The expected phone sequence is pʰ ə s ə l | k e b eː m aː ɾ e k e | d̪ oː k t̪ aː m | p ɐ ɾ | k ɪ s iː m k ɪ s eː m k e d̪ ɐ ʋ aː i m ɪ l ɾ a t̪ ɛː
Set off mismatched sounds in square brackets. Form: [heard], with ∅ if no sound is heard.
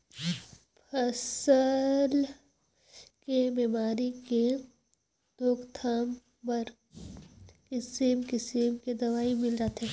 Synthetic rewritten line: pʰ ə s ə l | k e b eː m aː ɾ [i] k e | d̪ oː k [t̪ʰ] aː m | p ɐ ɾ | k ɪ s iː m k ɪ s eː m k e d̪ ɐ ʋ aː i m ɪ l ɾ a t̪ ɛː